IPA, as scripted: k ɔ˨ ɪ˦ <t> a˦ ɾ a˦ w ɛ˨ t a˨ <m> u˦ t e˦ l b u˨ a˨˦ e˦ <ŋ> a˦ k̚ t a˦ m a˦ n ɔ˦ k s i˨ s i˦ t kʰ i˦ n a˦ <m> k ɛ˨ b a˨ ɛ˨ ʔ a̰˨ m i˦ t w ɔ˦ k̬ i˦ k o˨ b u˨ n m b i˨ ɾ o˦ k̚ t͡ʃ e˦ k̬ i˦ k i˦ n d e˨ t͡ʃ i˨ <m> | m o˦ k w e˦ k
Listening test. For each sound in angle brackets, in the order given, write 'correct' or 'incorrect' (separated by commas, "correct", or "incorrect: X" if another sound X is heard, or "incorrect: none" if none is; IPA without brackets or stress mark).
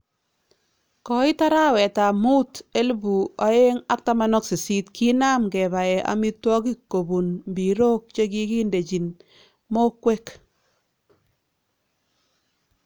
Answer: correct, correct, correct, correct, incorrect: n